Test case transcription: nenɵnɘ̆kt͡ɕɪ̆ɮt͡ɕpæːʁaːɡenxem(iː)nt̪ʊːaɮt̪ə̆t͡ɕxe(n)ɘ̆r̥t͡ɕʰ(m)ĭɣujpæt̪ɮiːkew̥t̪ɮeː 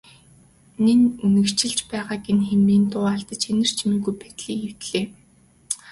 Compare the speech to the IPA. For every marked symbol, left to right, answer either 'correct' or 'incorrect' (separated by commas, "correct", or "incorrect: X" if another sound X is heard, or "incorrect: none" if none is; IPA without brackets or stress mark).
correct, correct, correct